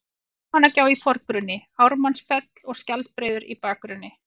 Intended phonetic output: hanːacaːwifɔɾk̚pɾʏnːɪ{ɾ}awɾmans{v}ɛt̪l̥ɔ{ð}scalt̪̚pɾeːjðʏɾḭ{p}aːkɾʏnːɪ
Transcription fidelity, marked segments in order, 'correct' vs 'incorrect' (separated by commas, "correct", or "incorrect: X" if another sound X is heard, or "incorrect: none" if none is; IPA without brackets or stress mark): incorrect: none, incorrect: f, incorrect: ɣ, correct